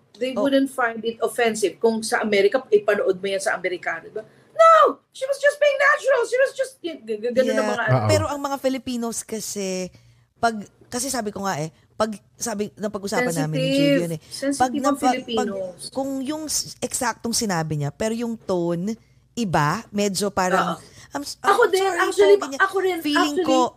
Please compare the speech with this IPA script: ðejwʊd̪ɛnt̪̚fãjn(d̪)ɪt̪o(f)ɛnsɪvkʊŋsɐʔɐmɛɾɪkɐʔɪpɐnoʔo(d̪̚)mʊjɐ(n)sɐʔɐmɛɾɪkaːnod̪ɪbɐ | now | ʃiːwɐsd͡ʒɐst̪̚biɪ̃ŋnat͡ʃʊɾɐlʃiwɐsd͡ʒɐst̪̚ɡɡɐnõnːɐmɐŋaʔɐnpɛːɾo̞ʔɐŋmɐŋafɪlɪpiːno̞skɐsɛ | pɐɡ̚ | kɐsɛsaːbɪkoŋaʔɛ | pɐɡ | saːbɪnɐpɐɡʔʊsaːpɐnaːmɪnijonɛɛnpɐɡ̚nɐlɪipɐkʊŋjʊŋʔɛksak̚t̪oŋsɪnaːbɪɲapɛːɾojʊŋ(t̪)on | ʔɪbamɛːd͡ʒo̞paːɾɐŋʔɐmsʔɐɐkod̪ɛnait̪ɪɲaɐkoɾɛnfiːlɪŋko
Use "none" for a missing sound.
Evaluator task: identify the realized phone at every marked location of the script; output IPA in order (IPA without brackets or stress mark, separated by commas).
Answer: d̪, f, d̪̚, n, t̪